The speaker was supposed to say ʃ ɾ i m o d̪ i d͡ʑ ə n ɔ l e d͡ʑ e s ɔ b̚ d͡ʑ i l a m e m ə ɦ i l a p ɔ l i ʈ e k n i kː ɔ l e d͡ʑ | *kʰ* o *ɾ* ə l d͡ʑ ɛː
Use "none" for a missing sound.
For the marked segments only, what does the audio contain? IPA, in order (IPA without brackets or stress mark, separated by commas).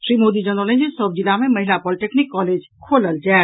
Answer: kʰ, l